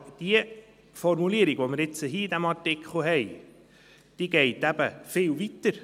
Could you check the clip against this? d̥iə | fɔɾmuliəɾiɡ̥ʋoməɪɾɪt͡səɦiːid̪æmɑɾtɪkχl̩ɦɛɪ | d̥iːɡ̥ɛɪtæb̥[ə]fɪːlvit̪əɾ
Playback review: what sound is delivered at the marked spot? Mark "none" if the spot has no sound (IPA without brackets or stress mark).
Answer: ə